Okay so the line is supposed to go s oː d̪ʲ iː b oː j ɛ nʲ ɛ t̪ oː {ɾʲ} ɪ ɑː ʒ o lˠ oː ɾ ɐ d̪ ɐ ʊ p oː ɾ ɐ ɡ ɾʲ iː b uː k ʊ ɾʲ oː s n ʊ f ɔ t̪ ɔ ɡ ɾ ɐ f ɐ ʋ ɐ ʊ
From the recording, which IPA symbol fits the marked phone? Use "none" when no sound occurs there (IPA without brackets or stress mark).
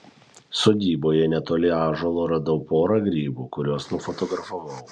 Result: lʲ